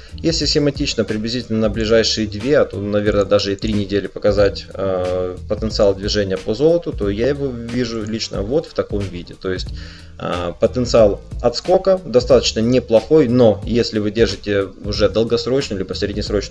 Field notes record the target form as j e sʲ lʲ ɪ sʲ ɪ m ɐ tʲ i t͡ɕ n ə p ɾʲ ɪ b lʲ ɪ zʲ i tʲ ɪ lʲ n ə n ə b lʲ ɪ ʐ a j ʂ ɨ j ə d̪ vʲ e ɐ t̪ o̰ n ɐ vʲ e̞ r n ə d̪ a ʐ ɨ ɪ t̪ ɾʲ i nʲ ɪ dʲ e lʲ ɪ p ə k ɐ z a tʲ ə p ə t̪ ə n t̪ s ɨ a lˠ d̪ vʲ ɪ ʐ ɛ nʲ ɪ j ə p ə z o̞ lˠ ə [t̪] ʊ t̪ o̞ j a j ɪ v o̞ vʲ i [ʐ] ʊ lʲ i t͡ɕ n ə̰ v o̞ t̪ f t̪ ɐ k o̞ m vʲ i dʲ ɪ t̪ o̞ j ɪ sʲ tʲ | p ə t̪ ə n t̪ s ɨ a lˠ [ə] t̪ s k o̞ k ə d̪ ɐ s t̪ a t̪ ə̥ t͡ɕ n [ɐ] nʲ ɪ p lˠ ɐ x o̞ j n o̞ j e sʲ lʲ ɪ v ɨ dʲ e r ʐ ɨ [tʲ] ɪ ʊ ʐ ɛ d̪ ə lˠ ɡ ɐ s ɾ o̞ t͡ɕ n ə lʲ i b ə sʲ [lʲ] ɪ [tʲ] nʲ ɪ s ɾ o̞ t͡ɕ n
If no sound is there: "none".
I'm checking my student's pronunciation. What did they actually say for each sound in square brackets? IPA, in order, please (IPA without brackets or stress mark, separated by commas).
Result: t̪, ʐ, ɐ, ə, tʲ, ɾʲ, dʲ